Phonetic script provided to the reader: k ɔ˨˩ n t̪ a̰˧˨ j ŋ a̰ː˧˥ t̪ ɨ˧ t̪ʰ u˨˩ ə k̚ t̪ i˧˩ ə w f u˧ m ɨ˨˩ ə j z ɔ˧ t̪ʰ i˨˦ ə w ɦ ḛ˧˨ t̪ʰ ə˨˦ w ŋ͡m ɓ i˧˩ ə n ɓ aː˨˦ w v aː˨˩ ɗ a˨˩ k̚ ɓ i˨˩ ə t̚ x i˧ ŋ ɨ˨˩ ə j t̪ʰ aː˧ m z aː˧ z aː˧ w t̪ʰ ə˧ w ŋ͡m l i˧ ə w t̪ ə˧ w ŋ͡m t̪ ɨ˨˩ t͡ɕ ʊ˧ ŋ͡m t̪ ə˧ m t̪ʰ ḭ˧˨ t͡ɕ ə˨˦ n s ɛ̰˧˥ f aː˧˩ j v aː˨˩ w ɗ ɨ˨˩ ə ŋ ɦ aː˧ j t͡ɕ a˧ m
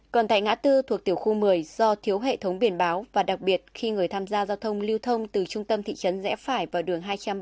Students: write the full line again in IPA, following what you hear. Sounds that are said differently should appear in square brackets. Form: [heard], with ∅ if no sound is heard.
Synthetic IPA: k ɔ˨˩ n t̪ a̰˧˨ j ŋ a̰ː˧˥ t̪ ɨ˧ t̪ʰ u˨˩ ə k̚ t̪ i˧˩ ə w [x] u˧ m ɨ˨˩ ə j z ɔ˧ t̪ʰ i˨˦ ə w ɦ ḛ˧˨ t̪ʰ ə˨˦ w ŋ͡m ɓ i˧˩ ə n ɓ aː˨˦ w v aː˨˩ ɗ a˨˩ k̚ ɓ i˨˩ ə t̚ x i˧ ŋ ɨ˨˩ ə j t̪ʰ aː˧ m z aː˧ z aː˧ w t̪ʰ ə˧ w ŋ͡m l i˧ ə w [t̪ʰ] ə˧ w ŋ͡m t̪ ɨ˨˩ t͡ɕ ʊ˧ ŋ͡m t̪ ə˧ m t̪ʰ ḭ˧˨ t͡ɕ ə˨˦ n [z] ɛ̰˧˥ f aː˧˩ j v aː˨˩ w ɗ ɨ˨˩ ə ŋ ɦ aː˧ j t͡ɕ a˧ m